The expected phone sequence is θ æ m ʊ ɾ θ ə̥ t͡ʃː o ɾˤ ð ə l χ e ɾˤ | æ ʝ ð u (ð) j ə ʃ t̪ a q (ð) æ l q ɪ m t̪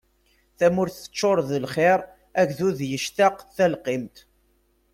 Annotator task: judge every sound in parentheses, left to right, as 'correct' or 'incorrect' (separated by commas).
correct, incorrect